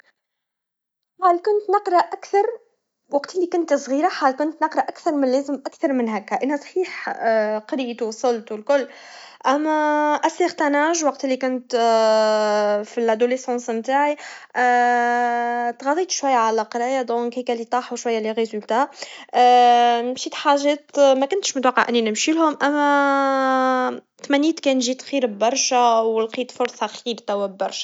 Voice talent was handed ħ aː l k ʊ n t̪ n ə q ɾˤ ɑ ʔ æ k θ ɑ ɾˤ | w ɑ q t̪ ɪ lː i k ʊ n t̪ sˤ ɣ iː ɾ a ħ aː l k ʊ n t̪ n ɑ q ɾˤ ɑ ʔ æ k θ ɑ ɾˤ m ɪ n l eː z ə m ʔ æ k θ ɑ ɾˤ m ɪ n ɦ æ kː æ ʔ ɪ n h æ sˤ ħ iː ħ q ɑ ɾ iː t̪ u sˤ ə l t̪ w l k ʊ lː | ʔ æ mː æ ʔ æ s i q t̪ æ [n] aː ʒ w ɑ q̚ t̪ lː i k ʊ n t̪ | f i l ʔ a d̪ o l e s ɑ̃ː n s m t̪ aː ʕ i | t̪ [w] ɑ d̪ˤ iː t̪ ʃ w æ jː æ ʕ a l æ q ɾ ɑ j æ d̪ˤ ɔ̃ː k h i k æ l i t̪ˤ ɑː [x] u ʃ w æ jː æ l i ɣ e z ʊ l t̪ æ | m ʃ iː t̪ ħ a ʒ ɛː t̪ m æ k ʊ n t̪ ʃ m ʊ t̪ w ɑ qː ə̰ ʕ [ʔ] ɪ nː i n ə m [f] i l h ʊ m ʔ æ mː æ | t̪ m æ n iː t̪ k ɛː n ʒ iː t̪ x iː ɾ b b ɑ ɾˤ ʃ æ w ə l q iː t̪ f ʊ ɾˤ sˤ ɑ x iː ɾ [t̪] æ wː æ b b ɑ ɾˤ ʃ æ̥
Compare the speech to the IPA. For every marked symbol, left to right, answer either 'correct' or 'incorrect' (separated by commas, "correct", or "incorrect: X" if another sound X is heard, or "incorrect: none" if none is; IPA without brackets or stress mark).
correct, incorrect: ɣ, incorrect: ħ, correct, incorrect: ʃ, correct